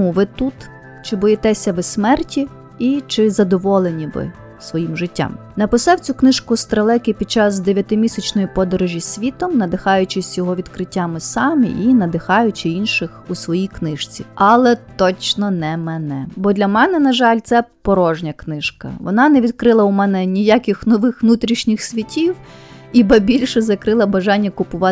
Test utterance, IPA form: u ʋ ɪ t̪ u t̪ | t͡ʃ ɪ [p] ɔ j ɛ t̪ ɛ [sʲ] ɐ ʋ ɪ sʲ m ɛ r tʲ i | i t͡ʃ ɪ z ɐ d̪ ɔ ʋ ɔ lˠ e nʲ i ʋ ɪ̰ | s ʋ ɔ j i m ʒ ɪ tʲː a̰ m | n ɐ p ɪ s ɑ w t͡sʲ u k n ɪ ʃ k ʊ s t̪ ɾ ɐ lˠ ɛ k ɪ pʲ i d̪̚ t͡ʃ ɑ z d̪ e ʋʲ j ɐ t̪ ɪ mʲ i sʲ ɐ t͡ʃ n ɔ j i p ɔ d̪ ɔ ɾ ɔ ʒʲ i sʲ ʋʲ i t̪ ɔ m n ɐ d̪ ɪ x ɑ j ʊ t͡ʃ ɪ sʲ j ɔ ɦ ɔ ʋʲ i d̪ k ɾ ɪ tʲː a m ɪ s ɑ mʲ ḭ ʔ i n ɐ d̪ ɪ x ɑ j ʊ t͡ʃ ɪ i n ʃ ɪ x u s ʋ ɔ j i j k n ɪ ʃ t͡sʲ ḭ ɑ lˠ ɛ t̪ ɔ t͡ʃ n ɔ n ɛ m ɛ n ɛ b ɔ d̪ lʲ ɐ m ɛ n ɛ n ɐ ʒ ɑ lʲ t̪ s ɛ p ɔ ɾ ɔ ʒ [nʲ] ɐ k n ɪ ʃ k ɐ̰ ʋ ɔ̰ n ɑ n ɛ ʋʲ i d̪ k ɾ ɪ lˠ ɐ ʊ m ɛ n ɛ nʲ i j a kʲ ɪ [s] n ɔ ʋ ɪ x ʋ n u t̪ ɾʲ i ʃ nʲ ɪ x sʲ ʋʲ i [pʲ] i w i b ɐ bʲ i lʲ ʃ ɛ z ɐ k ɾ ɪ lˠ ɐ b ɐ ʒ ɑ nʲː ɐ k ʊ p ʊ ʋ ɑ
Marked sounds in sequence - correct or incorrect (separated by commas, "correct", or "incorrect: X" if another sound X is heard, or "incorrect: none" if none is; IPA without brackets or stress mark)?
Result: incorrect: b, correct, correct, incorrect: x, incorrect: tʲ